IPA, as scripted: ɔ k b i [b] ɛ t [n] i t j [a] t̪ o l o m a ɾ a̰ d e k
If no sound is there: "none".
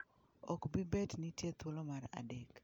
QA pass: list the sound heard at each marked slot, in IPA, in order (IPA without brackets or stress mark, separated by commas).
b, n, e